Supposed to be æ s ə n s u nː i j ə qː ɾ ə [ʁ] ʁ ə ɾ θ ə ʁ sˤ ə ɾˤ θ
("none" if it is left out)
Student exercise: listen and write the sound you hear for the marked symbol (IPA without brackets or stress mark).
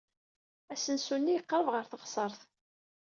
v